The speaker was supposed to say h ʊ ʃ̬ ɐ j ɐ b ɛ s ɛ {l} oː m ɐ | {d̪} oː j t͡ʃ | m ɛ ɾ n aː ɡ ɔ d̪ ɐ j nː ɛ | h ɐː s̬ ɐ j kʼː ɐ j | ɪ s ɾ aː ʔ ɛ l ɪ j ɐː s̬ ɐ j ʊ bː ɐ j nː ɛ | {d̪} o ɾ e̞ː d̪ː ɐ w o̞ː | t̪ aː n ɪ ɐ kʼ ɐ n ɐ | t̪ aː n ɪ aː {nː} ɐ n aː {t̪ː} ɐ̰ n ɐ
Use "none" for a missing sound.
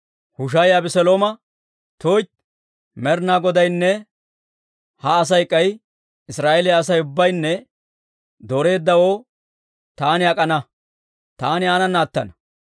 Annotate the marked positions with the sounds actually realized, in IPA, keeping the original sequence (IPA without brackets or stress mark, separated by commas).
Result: l, t̪, d̪, n, t̪ː